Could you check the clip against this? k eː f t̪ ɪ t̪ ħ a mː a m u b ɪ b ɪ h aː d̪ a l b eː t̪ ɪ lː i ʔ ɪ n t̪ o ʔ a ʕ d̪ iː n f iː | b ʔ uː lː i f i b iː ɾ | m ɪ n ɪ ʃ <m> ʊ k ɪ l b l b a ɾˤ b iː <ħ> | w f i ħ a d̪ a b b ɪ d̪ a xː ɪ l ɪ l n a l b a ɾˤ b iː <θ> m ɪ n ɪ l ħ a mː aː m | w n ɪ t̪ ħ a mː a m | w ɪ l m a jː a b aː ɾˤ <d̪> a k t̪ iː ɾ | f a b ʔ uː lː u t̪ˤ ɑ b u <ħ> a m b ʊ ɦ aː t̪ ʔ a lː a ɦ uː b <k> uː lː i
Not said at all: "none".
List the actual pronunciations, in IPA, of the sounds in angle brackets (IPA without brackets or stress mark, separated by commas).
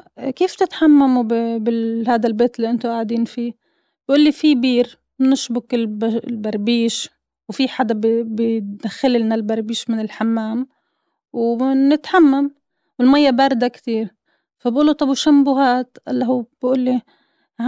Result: b, ʃ, ʃ, d̪, ʃ, ʔ